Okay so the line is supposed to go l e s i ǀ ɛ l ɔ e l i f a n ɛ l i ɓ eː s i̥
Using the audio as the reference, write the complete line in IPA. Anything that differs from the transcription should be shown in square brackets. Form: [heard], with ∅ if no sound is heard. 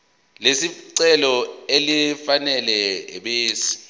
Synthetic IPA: l e s i ǀ ɛ l ɔ e l i f a n ɛ l [ɛ] ɓ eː s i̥